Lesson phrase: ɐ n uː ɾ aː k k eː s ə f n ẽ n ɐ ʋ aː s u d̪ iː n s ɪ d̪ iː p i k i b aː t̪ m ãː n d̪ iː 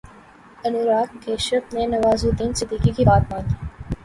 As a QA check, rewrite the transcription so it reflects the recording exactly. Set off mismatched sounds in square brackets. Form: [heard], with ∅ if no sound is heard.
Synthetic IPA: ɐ n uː ɾ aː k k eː [ʃ] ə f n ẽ n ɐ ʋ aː [z] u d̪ iː n s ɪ d̪ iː [k] i k i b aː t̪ m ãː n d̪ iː